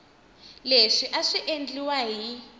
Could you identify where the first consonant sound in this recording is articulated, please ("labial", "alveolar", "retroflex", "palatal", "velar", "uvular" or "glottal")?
alveolar